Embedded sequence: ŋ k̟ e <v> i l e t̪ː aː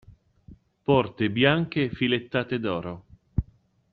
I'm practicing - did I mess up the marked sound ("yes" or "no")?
yes